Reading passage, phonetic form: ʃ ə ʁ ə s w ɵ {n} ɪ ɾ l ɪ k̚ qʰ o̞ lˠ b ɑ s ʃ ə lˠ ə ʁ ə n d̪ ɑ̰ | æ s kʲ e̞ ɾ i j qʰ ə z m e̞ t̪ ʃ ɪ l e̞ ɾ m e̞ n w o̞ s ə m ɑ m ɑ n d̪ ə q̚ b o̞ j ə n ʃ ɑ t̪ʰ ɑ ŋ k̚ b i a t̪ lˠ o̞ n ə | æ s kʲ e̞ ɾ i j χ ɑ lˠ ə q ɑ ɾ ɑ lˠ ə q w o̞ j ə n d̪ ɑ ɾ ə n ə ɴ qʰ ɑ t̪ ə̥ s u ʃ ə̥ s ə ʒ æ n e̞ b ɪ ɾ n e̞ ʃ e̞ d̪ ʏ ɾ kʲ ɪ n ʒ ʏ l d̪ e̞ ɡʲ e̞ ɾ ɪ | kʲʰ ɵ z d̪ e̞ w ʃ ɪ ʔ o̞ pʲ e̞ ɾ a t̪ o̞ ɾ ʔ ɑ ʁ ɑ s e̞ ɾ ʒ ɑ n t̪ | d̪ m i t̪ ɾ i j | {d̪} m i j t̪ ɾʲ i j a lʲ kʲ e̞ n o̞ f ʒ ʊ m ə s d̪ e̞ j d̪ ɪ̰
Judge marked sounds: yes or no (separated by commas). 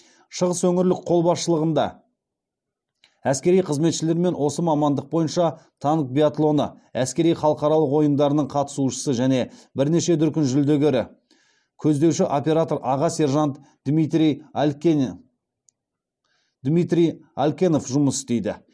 no, yes